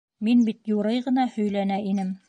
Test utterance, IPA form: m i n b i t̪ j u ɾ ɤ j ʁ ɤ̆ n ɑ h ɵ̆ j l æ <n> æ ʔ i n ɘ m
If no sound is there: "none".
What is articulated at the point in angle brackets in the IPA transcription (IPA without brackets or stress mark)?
n